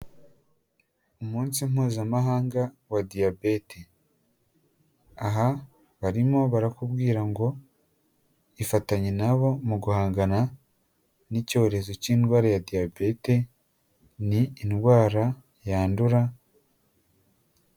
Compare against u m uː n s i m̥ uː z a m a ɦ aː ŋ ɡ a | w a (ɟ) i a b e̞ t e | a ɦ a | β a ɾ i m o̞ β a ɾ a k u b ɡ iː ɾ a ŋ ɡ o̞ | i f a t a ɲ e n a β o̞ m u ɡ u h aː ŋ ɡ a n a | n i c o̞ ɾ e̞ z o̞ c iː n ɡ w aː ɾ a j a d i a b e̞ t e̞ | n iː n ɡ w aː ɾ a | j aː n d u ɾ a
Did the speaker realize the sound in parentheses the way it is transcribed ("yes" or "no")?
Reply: no